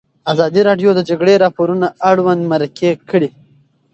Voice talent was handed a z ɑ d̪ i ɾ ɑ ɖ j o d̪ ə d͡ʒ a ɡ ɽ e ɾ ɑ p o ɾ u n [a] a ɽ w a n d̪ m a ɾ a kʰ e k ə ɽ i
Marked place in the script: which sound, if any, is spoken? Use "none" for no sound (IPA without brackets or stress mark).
a